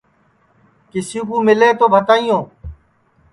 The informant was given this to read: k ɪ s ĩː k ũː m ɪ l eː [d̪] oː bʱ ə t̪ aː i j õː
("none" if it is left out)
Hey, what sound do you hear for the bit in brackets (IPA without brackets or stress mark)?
t̪